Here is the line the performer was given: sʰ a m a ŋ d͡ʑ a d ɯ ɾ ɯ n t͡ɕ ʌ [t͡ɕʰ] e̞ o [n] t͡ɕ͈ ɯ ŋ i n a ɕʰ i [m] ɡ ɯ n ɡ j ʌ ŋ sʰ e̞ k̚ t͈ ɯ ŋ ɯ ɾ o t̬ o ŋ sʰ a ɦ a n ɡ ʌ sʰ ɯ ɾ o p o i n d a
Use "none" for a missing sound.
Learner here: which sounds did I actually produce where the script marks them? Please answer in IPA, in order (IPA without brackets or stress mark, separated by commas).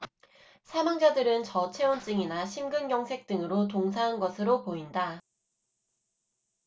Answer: t͡ɕʰ, n, m